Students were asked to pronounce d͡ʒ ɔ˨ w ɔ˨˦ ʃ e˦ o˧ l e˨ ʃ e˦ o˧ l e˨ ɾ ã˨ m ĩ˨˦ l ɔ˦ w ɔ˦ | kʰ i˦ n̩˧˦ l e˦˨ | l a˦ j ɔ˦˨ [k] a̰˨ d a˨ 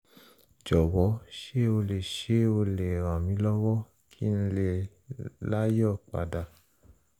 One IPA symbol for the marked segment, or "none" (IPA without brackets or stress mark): k͡p